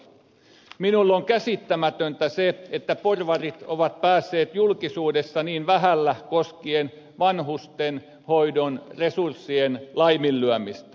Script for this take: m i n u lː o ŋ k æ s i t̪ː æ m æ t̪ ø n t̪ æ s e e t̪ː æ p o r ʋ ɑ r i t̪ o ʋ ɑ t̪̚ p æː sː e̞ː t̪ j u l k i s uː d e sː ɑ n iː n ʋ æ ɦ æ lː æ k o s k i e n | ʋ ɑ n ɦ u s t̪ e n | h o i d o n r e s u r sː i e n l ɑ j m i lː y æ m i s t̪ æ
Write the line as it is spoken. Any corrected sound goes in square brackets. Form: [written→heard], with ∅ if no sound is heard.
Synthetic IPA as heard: m i n u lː o ŋ k æ s i t̪ː æ m æ t̪ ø n t̪ æ s e e t̪ː æ p o r ʋ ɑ r i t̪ o ʋ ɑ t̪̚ p æː sː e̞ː t̪ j u l k i s uː d e sː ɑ n iː n ʋ æ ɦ æ lː æ k o s k i e n | ʋ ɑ n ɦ u s t̪ e n | h o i d o n r e s u r sː i e n l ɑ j m i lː y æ m i s t̪ æ